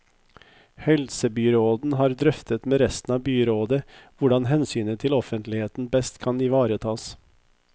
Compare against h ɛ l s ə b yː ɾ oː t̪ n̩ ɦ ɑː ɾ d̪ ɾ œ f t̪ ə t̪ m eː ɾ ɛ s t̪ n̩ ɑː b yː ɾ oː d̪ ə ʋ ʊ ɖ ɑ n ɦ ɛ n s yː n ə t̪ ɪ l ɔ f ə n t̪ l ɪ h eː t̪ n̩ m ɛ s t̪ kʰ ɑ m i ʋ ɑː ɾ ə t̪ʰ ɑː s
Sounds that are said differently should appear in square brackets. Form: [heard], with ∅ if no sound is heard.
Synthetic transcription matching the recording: h ɛ l s ə b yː ɾ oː [d̪] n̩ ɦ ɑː ɾ d̪ ɾ œ f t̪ ə t̪ m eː ɾ ɛ s t̪ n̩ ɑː b yː ɾ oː d̪ ə ʋ ʊ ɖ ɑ n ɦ ɛ n s yː n ə [t̪ʰ] ɪ l ɔ f ə n t̪ l ɪ h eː t̪ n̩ [b] ɛ s t̪ kʰ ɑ [n] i ʋ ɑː ɾ ə t̪ʰ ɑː s